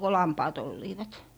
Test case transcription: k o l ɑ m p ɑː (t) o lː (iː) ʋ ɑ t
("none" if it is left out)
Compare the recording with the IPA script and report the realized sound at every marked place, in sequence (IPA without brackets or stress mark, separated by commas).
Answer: t, iː